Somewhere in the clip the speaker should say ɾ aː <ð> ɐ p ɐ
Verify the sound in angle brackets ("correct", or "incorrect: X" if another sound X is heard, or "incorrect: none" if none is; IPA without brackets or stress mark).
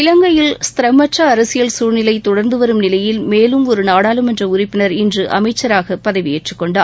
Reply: incorrect: ɣ